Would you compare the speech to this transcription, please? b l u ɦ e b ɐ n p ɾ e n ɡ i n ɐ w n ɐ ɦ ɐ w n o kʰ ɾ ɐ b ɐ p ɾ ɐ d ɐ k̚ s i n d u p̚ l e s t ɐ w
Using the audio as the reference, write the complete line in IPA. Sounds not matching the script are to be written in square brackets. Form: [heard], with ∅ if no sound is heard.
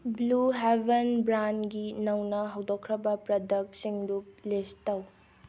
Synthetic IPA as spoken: b l u ɦ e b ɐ n [b] ɾ [a] n ɡ i n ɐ w n ɐ ɦ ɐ w [d] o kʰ ɾ ɐ b ɐ p ɾ ɐ d ɐ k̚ s i [ŋ] d u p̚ l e s t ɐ w